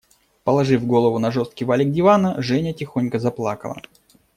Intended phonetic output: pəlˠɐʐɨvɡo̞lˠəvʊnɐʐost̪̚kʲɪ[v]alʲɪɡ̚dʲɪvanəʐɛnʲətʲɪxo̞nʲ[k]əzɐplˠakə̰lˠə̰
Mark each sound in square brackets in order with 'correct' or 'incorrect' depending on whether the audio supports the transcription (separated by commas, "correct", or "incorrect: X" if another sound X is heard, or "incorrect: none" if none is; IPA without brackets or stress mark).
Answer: correct, correct